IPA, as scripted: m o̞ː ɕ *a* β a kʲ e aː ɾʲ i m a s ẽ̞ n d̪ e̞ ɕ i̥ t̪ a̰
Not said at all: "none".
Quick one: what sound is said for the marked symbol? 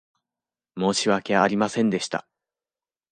i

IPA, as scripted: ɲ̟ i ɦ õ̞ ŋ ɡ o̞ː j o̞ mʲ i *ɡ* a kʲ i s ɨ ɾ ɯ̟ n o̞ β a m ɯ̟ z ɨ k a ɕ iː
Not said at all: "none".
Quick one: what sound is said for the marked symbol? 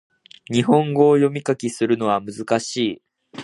k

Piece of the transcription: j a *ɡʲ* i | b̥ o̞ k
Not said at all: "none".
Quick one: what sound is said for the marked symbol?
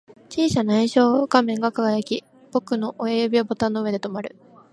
kʲ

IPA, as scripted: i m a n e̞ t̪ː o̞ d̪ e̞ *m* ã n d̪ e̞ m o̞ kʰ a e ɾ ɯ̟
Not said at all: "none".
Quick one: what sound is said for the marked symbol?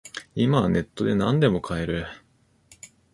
n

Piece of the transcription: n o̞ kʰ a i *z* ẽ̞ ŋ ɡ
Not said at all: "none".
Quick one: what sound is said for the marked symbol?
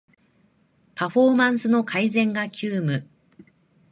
z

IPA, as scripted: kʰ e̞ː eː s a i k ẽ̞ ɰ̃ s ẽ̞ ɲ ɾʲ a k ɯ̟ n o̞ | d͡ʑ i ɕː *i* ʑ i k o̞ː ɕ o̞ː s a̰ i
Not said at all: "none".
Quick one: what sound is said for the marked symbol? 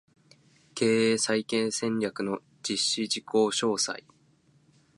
i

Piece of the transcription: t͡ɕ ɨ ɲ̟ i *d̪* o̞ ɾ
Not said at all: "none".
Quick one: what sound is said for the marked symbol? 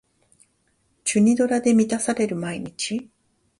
d̪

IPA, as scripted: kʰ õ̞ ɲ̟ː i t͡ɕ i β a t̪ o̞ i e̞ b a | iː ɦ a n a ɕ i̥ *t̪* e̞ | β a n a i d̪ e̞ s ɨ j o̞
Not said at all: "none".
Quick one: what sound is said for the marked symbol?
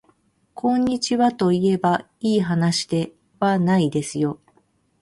d̪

